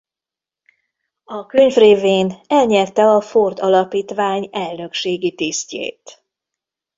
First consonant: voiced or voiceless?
voiceless